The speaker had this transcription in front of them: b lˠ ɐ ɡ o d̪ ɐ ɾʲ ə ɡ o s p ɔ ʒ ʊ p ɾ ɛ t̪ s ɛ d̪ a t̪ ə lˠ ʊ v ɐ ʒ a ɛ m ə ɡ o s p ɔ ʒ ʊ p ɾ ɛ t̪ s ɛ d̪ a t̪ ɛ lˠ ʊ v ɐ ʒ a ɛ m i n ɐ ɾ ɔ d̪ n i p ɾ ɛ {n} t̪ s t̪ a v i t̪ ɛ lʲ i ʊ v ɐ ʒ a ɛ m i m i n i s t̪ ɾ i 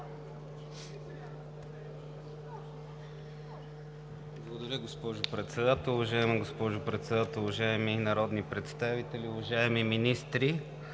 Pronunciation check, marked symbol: incorrect: none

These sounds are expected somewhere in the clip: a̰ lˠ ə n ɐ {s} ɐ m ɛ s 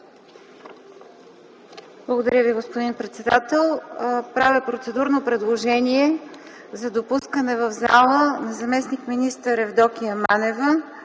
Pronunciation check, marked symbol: incorrect: z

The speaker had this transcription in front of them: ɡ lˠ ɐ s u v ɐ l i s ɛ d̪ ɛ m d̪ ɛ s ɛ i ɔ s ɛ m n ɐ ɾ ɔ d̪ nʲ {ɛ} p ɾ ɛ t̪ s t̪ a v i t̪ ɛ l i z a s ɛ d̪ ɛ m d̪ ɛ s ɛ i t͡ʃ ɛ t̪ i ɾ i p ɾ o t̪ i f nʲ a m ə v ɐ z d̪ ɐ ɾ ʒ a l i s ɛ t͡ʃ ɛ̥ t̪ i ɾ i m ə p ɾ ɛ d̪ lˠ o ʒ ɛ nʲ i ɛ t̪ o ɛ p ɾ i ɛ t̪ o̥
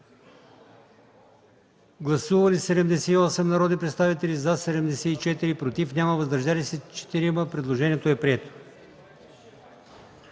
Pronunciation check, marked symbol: incorrect: i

